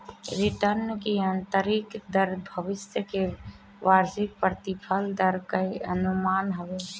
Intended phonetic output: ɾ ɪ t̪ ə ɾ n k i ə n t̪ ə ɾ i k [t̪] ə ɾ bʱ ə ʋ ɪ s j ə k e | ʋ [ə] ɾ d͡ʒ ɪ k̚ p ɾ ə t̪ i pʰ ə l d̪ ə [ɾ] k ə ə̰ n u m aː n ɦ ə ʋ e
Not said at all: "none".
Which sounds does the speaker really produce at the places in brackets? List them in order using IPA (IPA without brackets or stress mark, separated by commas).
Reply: d̪, a, ɾ